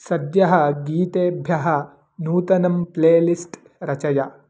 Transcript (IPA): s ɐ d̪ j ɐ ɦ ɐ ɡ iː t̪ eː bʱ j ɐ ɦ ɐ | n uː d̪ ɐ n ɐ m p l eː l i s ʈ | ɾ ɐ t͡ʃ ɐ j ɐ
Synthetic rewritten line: s ɐ d̪ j ɐ ɦ ɐ ɡ iː t̪ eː bʱ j ɐ ɦ ɐ | n uː t̪ ɐ n ɐ m p l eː l i s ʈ | ɾ ɐ t͡ʃ ɐ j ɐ